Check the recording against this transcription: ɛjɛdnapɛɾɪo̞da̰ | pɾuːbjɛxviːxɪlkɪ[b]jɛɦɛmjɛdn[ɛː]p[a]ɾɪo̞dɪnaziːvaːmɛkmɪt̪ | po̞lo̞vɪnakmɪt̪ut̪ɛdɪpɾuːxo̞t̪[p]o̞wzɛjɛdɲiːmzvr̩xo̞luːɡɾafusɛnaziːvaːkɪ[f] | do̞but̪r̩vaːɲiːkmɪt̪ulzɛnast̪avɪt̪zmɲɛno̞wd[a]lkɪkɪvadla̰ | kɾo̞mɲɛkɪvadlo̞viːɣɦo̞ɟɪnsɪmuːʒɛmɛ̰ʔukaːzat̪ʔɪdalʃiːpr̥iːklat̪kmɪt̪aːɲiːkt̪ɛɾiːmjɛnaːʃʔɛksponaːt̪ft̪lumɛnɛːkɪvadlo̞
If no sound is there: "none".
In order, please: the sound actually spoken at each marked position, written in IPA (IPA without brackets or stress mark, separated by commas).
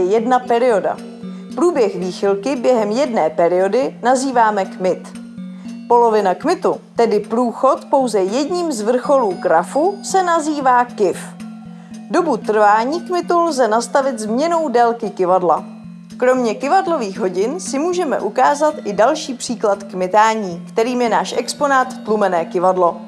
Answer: b, ɛː, ɛ, p, f, ɛ